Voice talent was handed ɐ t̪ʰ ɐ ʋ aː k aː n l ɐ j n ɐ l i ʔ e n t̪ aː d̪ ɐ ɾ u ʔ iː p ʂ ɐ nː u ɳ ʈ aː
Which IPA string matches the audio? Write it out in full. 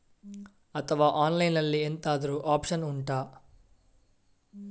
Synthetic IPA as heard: ɐ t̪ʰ ɐ ʋ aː ʔ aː n l ɐ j n ɐ lː i e n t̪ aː d̪ ɐ ɾ u ʔ aː p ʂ ɐ n u ɳ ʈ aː